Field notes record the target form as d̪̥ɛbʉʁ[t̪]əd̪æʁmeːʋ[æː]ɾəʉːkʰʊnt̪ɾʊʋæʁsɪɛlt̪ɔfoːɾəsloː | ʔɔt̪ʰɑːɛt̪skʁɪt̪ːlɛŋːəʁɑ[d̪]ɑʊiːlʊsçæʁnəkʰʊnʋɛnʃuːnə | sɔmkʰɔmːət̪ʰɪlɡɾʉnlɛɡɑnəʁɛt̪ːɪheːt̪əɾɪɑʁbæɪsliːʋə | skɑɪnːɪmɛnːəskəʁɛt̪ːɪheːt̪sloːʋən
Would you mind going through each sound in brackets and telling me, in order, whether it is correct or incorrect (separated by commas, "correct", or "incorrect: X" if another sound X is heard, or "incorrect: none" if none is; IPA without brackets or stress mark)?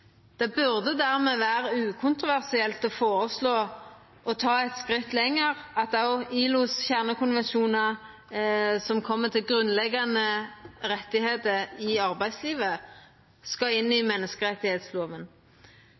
incorrect: d̪, correct, incorrect: t̪